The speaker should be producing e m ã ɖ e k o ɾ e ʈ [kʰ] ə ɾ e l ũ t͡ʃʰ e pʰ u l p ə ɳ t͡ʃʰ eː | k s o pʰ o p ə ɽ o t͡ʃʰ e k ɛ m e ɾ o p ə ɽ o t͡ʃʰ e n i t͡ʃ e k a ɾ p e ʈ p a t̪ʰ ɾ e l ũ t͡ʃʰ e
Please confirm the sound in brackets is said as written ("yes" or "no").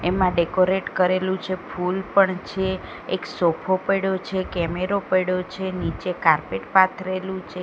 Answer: no